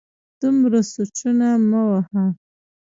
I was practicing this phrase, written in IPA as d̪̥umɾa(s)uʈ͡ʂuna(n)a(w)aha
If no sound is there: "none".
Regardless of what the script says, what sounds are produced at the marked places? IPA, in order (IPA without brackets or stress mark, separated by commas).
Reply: s, m, w